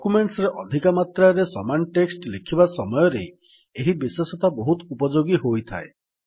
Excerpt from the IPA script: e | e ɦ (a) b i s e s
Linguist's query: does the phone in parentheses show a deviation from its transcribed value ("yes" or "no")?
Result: yes